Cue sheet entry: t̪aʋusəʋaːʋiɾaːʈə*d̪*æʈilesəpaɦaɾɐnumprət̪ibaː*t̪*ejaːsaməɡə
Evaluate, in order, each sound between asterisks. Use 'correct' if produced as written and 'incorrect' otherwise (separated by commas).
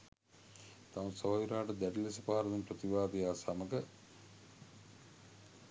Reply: correct, incorrect